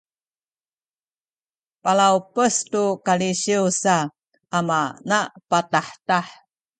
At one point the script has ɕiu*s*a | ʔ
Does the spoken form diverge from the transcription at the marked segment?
no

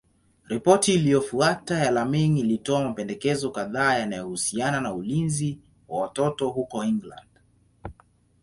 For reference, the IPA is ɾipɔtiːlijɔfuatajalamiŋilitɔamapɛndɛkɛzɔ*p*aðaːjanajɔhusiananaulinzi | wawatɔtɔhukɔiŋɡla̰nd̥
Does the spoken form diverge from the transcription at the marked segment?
yes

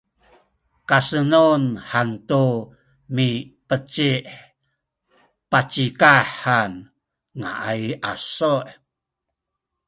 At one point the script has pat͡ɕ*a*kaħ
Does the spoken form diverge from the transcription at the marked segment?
yes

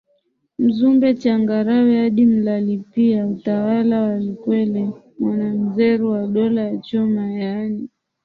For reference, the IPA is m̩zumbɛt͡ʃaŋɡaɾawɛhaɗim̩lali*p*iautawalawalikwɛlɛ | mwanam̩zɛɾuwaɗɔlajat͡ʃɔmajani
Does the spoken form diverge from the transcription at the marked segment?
no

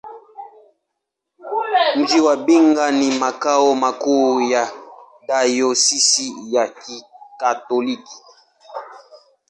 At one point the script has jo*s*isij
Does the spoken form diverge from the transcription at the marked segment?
no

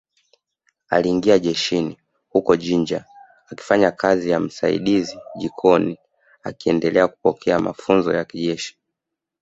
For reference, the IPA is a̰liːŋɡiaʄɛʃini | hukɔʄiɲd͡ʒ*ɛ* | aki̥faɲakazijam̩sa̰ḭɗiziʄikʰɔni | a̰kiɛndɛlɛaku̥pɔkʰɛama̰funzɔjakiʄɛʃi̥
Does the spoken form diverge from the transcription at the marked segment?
yes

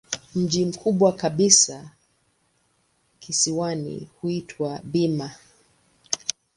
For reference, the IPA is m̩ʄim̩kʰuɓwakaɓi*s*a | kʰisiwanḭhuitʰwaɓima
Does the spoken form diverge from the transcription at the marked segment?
no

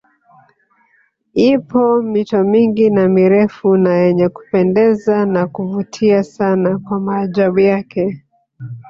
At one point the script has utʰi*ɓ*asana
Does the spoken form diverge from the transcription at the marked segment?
yes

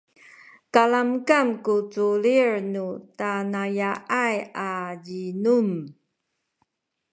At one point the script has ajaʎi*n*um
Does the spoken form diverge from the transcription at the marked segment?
no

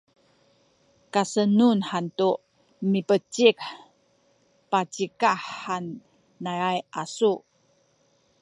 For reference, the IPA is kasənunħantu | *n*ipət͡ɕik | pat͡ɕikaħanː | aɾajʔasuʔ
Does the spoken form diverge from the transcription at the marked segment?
yes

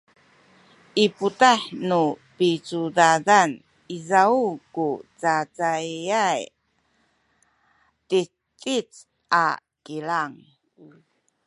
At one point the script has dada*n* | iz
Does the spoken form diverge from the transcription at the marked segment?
no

